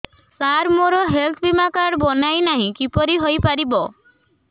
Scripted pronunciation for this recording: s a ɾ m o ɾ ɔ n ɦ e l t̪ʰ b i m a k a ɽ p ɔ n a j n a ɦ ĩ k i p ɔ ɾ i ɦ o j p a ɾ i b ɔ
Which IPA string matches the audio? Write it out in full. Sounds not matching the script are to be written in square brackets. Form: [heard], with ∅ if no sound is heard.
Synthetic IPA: s a ɾ m o ɾ ɔ [∅] ɦ e l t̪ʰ b i m a k a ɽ [b] ɔ n a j n a ɦ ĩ k i p ɔ ɾ i ɦ o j p a ɾ i b ɔ